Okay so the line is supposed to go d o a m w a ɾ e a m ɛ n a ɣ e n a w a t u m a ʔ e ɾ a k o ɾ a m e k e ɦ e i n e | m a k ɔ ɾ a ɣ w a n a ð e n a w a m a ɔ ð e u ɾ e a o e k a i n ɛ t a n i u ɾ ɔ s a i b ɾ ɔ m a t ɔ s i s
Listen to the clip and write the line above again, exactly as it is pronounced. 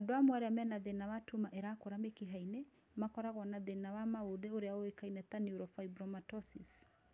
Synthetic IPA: d o a m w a ɾ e a m ɛ n a ð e n a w a t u m a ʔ e ɾ a k o ɾ a m e k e ɦ a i n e | m a k ɔ ɾ a ɣ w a n a ð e n a w a m a o ð e o ɾ e a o e k a i n ɛ t a n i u ɾ ɔ f a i b ɾ ɔ m a t ɔ s i s